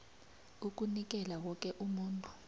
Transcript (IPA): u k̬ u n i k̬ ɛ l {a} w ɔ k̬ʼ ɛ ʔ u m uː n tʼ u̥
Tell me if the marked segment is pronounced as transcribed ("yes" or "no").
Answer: yes